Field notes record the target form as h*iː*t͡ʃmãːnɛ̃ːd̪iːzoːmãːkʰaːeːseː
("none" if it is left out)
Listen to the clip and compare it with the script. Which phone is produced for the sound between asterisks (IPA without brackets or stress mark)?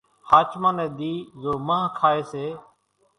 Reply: aː